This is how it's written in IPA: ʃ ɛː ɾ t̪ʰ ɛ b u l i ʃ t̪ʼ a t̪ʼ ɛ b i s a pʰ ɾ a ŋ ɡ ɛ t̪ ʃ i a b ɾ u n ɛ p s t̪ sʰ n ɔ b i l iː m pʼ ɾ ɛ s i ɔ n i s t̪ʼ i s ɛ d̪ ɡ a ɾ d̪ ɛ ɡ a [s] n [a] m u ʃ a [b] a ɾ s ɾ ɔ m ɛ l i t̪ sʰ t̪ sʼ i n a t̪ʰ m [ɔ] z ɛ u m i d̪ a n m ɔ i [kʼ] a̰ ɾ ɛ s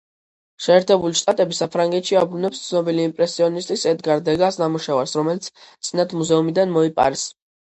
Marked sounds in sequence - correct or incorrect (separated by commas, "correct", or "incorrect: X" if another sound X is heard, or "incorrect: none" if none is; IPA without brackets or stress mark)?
correct, correct, incorrect: v, incorrect: u, incorrect: pʼ